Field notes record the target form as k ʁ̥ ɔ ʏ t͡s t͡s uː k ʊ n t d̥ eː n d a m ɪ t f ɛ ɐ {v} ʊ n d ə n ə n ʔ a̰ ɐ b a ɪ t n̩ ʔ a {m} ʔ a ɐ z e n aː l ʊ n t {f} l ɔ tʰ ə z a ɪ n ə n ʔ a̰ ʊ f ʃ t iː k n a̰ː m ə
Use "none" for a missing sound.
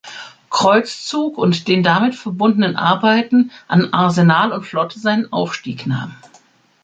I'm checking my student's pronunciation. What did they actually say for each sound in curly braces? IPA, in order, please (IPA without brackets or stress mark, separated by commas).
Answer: b, n, f